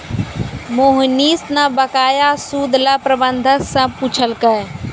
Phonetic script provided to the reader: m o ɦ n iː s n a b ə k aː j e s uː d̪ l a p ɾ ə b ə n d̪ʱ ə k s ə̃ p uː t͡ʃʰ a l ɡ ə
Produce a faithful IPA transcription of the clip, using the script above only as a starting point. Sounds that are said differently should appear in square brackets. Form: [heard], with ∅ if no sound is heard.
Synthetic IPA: m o ɦ n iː s n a b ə k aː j [a] s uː d̪ l a p ɾ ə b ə n d̪ʱ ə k s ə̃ p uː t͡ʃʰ [ə] l [k] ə